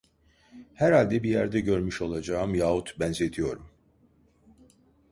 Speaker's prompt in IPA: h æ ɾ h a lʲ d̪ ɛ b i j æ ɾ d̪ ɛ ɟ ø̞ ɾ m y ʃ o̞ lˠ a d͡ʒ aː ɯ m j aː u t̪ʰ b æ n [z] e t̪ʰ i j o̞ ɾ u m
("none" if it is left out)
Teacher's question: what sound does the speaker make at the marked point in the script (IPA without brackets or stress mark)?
z